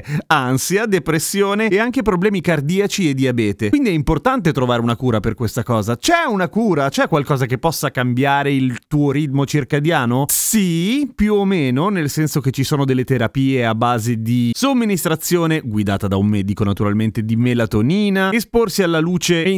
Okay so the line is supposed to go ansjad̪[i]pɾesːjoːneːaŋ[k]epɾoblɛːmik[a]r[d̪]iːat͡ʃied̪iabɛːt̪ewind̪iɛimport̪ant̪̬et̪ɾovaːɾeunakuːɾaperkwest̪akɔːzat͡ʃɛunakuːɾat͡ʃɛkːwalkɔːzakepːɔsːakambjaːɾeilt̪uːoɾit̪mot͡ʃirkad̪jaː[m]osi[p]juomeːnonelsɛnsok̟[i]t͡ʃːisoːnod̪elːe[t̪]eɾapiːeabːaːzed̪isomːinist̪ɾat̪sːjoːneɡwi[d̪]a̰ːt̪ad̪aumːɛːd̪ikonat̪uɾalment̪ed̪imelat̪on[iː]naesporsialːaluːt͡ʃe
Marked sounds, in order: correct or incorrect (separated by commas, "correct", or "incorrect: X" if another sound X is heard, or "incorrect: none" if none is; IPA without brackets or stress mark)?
incorrect: e, correct, correct, correct, incorrect: n, correct, incorrect: e, correct, correct, correct